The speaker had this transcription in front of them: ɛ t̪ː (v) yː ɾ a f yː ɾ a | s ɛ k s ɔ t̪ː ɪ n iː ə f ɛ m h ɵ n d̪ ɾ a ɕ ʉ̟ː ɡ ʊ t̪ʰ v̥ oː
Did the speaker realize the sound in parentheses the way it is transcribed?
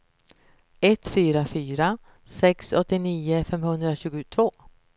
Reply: no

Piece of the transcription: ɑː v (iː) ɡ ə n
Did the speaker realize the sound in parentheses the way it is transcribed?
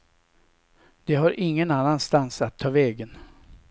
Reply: no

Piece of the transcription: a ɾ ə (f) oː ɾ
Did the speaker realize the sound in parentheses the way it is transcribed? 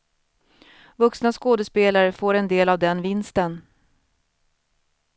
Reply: yes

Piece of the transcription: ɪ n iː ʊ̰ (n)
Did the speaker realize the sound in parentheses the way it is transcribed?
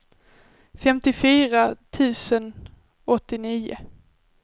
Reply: no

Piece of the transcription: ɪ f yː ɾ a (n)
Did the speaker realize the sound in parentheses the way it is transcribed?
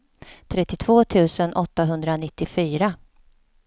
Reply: no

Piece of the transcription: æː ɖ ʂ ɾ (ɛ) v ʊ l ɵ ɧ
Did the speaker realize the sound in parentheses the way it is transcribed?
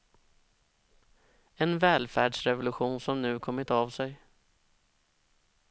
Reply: yes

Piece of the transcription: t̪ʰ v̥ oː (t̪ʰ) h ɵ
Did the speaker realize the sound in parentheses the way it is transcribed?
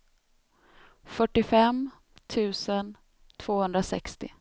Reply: no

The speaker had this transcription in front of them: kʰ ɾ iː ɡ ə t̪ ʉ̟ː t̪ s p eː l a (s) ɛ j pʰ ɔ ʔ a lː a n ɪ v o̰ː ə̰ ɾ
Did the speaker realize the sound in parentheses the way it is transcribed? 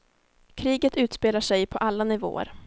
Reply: no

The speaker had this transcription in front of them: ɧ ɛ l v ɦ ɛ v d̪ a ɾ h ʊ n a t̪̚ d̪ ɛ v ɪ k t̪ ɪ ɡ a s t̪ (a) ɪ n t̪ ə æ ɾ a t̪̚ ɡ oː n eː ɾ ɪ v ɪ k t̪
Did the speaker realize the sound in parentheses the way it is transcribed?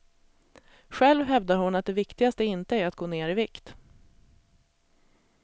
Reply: no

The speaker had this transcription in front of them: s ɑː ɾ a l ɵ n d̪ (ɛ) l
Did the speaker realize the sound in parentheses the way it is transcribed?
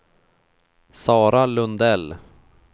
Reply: yes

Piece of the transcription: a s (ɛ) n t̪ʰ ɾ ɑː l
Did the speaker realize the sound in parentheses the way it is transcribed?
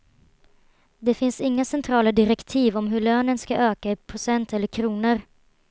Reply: yes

